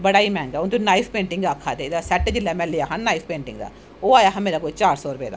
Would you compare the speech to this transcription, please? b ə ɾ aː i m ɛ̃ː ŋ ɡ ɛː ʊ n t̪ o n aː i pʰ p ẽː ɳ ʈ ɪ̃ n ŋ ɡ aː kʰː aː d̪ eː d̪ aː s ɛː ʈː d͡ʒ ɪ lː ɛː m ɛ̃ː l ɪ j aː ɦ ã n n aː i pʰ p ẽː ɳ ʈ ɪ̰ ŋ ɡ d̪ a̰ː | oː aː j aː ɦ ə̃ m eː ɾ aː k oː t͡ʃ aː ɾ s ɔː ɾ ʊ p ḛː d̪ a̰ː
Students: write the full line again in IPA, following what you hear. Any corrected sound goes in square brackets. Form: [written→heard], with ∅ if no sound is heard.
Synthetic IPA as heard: b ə [ɾ→ɽ] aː i m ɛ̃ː ŋ ɡ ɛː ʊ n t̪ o n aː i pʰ p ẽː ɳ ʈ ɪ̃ [n→∅] ŋ ɡ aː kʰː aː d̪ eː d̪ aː s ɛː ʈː d͡ʒ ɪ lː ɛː m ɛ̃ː l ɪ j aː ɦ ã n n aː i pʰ p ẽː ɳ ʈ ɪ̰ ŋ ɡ d̪ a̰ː | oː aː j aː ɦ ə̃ m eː ɾ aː k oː t͡ʃ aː ɾ s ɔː ɾ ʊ p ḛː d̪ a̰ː

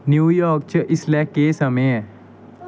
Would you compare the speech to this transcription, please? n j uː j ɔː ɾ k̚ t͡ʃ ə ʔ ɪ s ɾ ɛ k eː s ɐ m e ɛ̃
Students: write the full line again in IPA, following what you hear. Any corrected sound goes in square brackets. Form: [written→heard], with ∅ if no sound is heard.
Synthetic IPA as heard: n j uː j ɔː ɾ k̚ t͡ʃ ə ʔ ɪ s [ɾ→l] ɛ k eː s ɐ m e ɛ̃

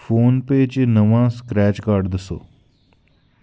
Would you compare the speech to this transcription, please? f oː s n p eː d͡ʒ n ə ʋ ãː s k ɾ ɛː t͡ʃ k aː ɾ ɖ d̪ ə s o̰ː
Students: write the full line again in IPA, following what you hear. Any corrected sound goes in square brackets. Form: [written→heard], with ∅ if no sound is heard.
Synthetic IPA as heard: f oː [s→∅] n p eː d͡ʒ n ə ʋ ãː s k ɾ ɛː t͡ʃ k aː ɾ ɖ d̪ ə s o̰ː

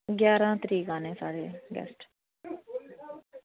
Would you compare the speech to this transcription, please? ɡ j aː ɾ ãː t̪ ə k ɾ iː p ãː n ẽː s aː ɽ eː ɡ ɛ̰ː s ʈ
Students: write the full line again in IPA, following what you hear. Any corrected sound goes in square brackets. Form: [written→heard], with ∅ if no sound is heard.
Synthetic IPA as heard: ɡ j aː ɾ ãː t̪ ə [k→∅] ɾ iː [p→k] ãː n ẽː s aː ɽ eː ɡ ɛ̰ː s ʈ

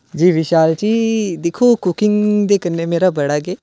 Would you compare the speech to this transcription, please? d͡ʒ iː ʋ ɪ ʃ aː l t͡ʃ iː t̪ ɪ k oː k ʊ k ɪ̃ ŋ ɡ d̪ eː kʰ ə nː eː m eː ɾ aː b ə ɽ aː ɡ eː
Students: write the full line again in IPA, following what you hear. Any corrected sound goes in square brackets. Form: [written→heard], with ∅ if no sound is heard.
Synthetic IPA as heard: d͡ʒ iː ʋ ɪ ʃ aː l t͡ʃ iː [t̪→d̪] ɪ [k→kʰ] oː k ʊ k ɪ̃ ŋ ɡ d̪ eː [kʰ→k] ə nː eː m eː ɾ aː b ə ɽ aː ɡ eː

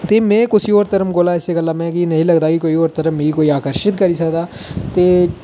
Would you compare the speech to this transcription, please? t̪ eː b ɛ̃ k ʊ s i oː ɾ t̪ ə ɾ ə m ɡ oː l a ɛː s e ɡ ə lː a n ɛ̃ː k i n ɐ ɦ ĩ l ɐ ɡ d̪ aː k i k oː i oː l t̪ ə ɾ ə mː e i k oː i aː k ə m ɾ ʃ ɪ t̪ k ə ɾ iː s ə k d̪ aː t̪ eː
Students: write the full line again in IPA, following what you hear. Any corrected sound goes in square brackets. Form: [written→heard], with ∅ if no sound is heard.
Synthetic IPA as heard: t̪ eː [b→m] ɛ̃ k ʊ s i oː ɾ t̪ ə ɾ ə m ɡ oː l a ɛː s e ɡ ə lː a [n→m] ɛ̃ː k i n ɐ ɦ ĩ l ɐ ɡ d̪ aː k i k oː i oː [l→ɾ] t̪ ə ɾ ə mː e i k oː i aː k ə [m→∅] ɾ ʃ ɪ t̪ k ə ɾ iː s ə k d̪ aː t̪ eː

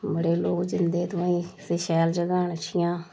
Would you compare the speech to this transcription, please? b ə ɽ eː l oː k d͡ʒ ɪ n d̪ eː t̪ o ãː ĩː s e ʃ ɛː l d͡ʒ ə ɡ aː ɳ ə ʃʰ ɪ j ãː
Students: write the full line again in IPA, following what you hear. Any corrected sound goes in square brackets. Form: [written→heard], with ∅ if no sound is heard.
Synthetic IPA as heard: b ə ɽ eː l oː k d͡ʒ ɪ n d̪ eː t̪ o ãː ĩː s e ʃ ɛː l d͡ʒ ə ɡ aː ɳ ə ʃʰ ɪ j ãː

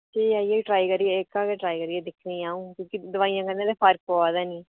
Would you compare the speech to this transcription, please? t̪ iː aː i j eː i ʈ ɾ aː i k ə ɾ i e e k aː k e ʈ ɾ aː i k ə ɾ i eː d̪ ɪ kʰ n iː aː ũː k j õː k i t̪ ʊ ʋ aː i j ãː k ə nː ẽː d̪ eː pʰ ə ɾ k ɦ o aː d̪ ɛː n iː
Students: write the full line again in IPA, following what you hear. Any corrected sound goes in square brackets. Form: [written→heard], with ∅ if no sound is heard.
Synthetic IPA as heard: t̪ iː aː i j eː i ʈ ɾ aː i k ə ɾ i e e k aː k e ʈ ɾ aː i k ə ɾ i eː d̪ ɪ kʰ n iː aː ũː k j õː k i [t̪→d̪] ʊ ʋ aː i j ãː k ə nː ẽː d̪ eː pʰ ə ɾ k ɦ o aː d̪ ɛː n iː

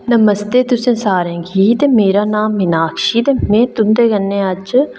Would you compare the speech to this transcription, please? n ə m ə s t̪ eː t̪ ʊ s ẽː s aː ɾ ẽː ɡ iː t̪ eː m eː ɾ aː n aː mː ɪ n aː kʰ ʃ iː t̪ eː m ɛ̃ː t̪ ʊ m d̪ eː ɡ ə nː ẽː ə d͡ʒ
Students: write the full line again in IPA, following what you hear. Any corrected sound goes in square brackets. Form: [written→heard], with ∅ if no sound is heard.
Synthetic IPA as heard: n ə m ə s t̪ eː t̪ ʊ s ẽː s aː ɾ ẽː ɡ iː t̪ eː m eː ɾ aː n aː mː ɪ n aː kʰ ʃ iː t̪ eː m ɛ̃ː t̪ ʊ m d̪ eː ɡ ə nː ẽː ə d͡ʒ

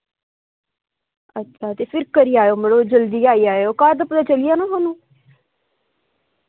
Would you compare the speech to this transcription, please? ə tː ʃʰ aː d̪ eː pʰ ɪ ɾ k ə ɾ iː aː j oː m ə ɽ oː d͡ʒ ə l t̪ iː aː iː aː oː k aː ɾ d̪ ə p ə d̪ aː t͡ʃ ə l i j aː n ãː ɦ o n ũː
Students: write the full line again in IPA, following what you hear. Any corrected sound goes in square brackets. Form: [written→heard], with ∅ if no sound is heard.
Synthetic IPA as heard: ə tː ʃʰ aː [d̪→t̪] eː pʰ ɪ ɾ k ə ɾ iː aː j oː m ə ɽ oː d͡ʒ ə l [t̪→d̪] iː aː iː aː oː k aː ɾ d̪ ə p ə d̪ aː t͡ʃ ə l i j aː n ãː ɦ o n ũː

